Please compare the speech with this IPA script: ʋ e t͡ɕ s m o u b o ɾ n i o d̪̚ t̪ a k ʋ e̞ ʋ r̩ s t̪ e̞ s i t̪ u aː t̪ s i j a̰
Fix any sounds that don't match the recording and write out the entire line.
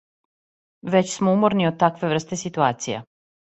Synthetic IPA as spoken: ʋ e t͡ɕ s m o u m o ɾ n i o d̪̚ t̪ a k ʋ e̞ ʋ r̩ s t̪ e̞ s i t̪ u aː t̪ s i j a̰